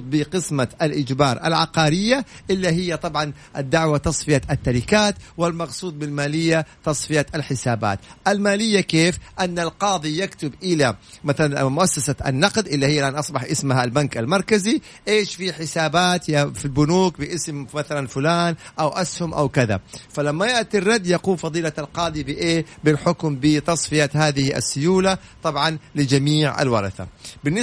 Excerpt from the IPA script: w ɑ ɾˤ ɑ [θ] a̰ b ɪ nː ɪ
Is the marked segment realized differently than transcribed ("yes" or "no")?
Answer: no